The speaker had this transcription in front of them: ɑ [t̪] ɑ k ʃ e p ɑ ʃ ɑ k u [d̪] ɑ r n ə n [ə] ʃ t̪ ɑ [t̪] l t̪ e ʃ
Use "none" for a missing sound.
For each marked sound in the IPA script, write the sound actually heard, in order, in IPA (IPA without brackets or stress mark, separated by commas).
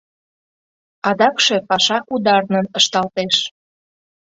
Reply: d̪, d̪, ə, none